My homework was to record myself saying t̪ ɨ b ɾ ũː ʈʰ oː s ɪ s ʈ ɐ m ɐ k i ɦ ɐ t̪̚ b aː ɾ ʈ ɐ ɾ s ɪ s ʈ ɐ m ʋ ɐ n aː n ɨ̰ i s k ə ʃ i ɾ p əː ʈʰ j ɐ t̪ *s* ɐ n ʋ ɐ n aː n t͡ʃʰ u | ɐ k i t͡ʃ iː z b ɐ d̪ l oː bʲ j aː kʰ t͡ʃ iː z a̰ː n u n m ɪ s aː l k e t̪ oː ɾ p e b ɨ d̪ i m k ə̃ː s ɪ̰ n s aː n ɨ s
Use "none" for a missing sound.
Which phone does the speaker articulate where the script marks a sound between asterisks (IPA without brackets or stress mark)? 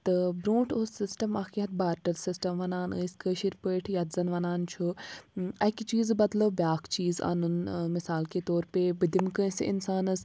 z